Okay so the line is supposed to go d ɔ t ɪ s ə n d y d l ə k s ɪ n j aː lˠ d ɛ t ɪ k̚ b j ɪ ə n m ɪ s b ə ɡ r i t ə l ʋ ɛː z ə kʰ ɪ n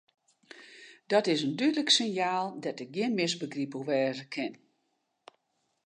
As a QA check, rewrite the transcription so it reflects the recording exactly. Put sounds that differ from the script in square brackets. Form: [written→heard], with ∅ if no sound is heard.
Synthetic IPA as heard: d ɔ t ɪ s ə n d y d l ə k s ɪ n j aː lˠ d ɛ t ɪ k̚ [b→ɡ] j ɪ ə n m ɪ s b ə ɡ r i [t→p] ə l ʋ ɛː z ə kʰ ɪ n

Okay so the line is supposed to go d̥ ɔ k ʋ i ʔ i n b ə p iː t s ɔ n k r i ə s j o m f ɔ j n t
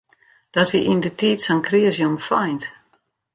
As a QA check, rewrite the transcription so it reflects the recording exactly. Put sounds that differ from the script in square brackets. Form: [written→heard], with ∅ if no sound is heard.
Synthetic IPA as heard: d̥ ɔ [k→t] ʋ i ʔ i n [b→d] ə [p→t] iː t s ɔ n k r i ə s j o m f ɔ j n t

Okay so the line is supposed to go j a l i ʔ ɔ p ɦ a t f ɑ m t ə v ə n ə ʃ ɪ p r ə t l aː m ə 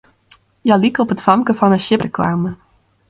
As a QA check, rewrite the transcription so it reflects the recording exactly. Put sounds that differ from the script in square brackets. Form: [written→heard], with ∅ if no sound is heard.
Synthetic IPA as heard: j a l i [ʔ→k] ɔ p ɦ [a→ə] t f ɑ m [t→k] ə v [ə→ɑ] n ə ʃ ɪ p r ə [t→k] l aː m ə

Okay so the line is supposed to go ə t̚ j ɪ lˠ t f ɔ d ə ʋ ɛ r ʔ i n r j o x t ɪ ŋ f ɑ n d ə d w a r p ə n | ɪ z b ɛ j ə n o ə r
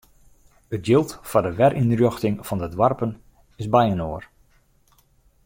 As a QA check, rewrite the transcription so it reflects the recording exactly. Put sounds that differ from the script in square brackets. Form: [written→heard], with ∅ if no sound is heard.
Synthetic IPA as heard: ə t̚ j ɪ lˠ t f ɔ d ə ʋ ɛ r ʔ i n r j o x t ɪ ŋ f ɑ n d ə d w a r p ə n | ɪ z b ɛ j ə n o ə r

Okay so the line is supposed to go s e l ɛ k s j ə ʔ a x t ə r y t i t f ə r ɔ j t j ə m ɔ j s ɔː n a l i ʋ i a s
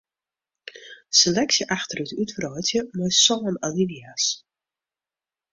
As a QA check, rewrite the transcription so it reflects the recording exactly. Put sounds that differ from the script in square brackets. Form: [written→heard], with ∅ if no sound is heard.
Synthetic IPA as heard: s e l ɛ k s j ə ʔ a x t ə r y t [i→y] t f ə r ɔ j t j ə m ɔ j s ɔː n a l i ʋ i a s

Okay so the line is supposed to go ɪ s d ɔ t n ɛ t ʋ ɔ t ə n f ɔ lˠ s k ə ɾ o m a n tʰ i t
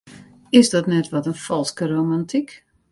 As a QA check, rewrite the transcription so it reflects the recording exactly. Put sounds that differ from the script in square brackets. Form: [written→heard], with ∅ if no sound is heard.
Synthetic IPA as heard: ɪ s d ɔ t n ɛ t ʋ ɔ t ə n f ɔ lˠ s k ə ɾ o m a n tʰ i [t→k]

